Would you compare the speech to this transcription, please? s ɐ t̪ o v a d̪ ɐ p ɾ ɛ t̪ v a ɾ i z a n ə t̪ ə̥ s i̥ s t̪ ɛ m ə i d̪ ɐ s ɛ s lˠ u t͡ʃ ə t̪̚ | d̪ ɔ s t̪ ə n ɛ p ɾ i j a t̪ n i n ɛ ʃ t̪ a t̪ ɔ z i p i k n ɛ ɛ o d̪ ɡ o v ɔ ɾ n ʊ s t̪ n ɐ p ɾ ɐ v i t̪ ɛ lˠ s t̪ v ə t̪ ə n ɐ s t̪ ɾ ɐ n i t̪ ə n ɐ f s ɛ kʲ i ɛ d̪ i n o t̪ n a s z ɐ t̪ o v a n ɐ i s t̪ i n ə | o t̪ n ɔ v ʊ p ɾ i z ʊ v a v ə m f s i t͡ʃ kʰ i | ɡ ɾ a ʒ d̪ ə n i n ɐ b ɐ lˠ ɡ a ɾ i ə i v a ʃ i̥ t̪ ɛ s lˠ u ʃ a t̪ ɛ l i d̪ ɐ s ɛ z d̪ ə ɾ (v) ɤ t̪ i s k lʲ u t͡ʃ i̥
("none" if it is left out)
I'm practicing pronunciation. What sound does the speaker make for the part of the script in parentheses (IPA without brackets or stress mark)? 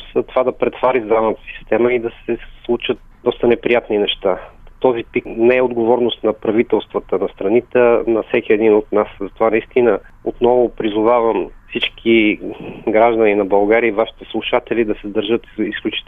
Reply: ʒ